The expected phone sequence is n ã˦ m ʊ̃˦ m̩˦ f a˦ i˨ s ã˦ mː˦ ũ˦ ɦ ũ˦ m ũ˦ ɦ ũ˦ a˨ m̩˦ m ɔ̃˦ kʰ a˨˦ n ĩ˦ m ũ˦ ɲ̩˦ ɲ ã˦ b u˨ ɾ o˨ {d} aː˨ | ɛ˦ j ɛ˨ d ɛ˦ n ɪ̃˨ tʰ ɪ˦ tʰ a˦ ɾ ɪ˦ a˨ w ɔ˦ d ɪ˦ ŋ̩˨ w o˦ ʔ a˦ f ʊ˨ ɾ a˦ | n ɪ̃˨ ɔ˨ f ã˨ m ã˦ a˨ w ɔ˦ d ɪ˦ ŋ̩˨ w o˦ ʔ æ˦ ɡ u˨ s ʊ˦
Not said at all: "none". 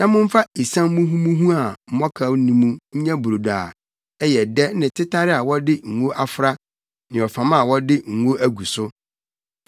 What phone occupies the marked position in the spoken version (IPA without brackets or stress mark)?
d